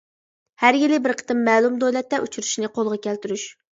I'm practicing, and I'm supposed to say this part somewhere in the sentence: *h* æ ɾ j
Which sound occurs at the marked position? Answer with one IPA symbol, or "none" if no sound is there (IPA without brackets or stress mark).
h